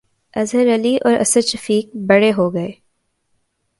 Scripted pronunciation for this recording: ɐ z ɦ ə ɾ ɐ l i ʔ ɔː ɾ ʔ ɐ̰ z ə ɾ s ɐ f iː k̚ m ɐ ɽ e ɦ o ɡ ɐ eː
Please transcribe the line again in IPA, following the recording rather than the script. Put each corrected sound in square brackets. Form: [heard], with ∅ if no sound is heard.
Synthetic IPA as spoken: ɐ z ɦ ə ɾ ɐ l i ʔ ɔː ɾ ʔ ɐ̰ [s] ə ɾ [ʃ] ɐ f iː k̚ [b] ɐ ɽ e ɦ o ɡ ɐ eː